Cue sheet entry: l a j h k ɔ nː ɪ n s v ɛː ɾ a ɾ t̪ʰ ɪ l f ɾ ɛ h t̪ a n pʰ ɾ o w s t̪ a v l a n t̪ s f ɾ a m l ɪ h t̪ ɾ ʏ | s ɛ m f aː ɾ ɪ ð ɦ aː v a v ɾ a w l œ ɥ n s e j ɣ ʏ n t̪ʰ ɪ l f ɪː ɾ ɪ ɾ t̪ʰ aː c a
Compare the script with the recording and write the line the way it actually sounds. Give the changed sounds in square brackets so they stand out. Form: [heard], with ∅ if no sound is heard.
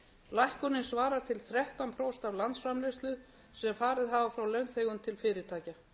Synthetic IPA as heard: l a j h k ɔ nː ɪ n s v [aː] ɾ a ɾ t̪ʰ ɪ l [θ] ɾ ɛ h t̪ a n pʰ ɾ o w s t̪ a v l a n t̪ s f ɾ a m l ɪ [s] t̪ [l] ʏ | s ɛ m f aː ɾ ɪ ð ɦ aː v a [f] ɾ a w l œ ɥ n [θ] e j ɣ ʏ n t̪ʰ ɪ l f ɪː ɾ ɪ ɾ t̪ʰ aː c a